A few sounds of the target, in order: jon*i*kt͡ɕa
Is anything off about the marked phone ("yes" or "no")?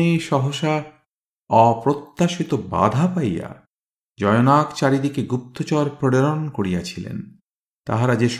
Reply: yes